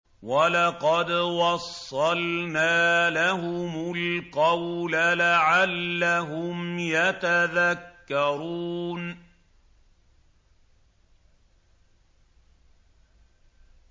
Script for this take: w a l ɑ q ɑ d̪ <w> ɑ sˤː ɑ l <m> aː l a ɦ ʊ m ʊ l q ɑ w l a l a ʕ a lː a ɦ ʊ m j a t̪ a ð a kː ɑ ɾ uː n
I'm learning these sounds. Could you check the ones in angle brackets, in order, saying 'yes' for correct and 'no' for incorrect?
yes, no

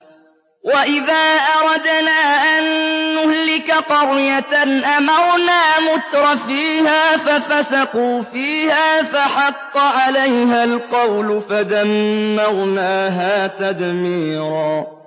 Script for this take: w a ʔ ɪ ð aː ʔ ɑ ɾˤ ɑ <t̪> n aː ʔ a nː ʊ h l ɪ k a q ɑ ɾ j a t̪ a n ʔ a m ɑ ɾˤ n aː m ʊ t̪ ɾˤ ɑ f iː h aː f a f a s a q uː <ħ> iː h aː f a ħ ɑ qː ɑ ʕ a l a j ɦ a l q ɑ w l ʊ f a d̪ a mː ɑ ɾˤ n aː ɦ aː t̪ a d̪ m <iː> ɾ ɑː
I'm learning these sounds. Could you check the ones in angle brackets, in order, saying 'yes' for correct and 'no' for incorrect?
no, no, yes

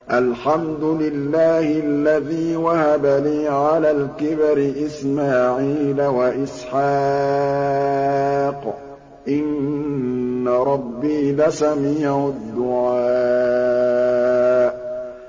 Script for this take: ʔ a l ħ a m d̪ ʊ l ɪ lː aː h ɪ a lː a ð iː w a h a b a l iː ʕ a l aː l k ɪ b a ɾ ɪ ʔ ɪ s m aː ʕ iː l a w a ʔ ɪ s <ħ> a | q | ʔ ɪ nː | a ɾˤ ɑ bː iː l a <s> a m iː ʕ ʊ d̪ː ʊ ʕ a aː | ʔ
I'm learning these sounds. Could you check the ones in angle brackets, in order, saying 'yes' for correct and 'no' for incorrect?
yes, yes

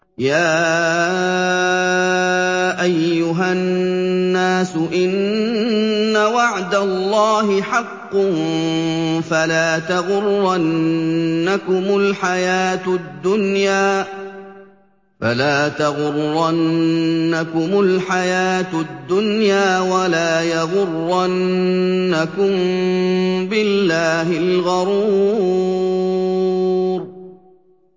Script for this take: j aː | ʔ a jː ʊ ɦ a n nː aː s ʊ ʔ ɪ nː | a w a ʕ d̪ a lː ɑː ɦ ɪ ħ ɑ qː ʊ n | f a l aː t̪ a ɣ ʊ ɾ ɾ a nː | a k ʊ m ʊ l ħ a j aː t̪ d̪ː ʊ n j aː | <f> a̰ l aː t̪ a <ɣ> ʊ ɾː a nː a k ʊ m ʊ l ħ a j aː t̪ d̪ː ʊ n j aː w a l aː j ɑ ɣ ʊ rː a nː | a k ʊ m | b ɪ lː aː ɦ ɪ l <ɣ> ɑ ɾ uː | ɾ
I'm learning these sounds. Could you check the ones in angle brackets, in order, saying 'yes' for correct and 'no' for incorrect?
yes, yes, yes

